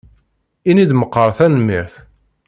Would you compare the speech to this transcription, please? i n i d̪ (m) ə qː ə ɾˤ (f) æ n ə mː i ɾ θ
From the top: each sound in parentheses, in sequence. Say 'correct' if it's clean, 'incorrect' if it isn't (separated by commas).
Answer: correct, incorrect